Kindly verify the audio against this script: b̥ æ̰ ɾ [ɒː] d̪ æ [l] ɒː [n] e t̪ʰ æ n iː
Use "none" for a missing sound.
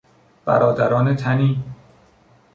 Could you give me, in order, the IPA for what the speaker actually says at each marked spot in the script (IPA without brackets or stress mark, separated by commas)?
ɒː, ɾ, n